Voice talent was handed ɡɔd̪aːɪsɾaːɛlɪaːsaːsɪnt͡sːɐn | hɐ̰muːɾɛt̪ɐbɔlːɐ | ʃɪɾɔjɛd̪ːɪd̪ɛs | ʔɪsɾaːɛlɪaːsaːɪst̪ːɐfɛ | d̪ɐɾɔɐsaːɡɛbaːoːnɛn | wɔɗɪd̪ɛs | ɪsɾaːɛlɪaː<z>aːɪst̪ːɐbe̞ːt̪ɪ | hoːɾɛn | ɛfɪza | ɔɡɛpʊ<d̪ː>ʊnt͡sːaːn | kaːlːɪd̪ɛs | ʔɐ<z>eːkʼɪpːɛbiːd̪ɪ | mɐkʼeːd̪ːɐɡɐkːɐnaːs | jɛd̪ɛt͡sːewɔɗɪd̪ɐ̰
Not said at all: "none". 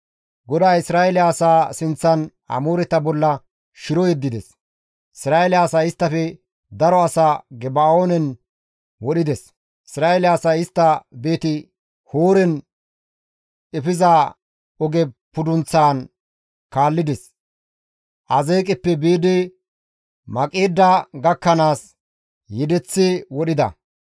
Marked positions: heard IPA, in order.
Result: s, d̪, z

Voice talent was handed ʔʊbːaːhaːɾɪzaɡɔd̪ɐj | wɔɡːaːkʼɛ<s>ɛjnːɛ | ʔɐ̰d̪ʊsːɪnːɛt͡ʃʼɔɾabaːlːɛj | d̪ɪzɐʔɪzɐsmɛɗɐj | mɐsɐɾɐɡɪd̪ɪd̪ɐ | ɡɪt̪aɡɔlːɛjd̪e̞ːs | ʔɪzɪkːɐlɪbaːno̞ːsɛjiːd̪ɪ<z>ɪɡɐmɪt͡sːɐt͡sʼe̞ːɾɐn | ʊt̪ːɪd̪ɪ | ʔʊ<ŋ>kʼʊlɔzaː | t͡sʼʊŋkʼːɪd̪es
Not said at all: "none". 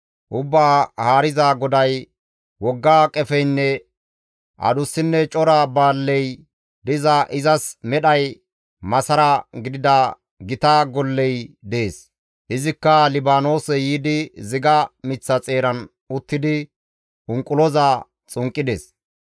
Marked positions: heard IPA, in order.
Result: f, z, ŋ

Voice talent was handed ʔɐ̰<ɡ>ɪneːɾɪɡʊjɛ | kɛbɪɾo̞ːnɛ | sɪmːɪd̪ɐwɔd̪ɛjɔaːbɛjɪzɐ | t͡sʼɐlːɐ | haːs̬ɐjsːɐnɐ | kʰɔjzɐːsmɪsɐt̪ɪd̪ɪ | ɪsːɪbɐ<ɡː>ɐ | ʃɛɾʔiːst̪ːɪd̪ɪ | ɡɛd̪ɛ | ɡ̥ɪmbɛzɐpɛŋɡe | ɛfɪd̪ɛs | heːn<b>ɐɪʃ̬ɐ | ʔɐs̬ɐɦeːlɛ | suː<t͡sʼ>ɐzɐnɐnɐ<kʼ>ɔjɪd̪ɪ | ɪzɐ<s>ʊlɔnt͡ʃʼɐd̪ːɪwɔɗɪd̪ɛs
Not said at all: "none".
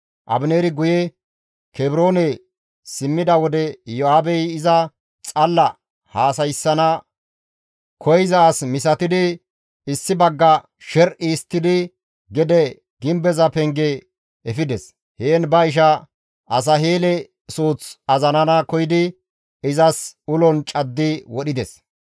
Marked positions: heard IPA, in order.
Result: b, ɡː, b, t͡s, k, s

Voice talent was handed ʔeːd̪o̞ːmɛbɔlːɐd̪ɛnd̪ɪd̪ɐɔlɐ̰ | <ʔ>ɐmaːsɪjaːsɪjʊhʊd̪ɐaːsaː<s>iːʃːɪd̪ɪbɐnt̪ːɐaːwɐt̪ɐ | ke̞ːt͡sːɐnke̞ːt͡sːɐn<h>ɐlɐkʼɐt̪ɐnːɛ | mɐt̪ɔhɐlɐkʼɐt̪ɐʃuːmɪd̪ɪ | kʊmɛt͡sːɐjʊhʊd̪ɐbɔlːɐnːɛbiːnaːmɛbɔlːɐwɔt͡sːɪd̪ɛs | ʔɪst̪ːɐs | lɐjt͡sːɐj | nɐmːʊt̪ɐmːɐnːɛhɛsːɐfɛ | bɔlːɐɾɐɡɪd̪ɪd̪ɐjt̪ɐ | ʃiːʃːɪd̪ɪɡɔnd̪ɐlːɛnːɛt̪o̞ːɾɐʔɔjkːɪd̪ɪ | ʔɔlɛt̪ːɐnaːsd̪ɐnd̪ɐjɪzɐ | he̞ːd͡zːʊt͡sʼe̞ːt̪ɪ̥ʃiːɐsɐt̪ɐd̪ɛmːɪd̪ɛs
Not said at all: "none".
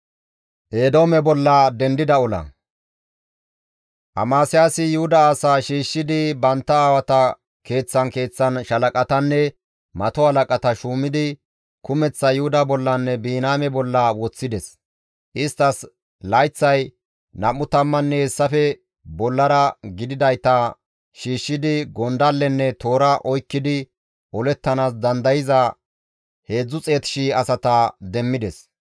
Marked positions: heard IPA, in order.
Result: ʔ, ʃ, ʃ

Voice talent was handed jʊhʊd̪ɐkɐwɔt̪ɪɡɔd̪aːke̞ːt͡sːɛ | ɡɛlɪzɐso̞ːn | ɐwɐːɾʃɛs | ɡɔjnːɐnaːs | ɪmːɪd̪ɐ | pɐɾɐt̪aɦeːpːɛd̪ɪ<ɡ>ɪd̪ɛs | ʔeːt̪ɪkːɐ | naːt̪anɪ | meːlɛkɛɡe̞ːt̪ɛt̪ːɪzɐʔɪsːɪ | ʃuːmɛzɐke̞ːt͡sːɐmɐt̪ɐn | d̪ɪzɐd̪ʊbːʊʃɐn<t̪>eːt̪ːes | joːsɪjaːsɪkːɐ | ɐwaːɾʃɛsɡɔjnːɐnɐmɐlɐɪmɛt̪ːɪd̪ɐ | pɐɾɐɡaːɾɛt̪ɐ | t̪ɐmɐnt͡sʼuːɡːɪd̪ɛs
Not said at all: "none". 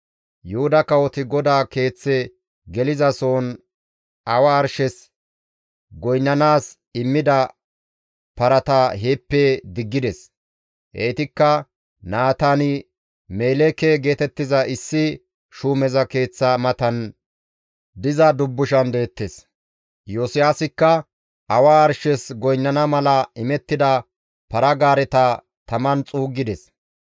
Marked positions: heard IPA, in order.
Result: ɡː, d̪

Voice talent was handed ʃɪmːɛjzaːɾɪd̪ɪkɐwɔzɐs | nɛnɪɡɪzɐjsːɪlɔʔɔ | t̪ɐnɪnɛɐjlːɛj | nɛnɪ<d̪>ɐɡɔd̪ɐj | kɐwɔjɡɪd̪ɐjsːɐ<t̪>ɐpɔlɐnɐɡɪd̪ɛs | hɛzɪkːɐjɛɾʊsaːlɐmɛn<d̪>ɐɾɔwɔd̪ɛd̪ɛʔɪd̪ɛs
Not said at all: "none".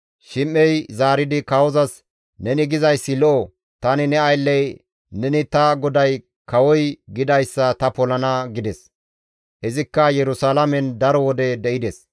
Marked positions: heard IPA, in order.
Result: t̪, t̪, d̪

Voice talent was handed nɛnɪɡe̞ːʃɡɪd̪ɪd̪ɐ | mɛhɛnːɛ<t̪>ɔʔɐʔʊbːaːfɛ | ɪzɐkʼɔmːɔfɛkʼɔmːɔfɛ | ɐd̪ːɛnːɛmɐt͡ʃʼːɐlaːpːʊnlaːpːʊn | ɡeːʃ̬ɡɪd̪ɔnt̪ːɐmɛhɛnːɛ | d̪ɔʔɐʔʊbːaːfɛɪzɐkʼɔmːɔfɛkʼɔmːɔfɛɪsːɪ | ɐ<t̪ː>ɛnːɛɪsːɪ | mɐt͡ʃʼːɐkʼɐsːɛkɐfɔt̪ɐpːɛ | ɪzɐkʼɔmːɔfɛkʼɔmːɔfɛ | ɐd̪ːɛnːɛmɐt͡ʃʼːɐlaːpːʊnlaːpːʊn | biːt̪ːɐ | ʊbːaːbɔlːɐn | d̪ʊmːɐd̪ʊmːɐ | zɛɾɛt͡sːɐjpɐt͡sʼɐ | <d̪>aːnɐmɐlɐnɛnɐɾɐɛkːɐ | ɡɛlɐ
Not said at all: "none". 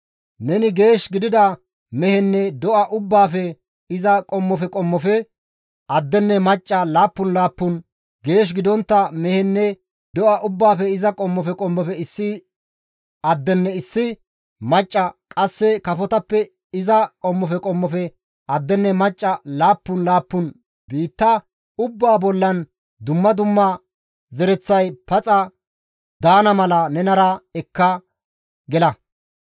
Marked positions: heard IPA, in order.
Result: d̪, d̪ː, d̪

